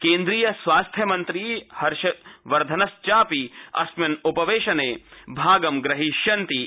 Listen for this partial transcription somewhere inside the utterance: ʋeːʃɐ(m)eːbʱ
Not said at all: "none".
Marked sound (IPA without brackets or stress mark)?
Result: n